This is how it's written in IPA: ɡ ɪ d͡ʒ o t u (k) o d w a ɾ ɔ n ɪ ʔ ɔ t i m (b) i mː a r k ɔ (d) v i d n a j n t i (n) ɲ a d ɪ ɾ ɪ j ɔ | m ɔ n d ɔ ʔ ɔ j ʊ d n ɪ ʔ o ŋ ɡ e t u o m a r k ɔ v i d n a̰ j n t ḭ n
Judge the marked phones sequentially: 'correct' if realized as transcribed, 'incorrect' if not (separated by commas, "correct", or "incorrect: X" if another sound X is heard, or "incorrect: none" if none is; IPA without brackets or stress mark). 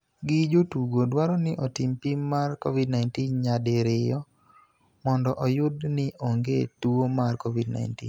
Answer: incorrect: ɡ, incorrect: p, incorrect: none, correct